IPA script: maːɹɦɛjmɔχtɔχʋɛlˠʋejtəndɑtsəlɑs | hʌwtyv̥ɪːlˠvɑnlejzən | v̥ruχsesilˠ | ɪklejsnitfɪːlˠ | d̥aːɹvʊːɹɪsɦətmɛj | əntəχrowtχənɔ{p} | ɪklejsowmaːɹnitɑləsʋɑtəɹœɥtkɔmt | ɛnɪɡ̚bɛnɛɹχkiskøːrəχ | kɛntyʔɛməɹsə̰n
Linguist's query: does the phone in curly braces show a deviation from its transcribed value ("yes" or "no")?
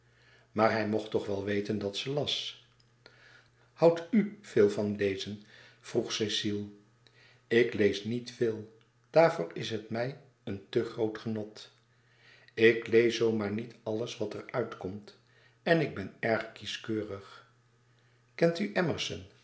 yes